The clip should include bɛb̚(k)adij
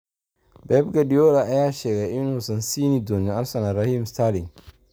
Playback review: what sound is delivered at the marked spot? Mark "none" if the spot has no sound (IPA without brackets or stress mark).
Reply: ɡ